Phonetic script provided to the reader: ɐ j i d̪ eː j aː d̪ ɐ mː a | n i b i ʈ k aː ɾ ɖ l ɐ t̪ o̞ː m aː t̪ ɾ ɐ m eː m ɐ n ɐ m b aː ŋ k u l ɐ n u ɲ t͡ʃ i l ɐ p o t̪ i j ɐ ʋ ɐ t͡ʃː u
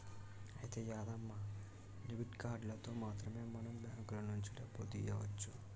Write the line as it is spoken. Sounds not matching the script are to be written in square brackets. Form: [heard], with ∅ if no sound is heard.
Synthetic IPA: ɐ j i [t̪] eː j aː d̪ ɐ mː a | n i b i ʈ k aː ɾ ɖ l ɐ t̪ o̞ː m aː t̪ ɾ ɐ m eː m ɐ n ɐ m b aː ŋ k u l ɐ n u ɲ t͡ʃ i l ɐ p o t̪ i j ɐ ʋ ɐ t͡ʃː u